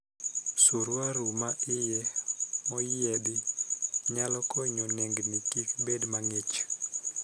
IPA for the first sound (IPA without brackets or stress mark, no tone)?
s